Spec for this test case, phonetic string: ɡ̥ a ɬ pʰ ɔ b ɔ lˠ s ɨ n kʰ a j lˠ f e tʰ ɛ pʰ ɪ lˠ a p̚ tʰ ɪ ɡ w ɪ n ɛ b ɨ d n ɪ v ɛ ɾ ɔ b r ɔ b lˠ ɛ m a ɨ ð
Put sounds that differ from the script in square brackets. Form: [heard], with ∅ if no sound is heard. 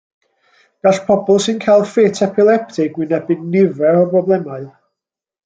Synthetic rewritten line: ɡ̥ a ɬ pʰ ɔ b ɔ lˠ s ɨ n kʰ a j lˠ f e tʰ ɛ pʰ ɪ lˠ [ɛ] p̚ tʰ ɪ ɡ w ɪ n ɛ b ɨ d n ɪ v ɛ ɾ ɔ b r ɔ b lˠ ɛ m a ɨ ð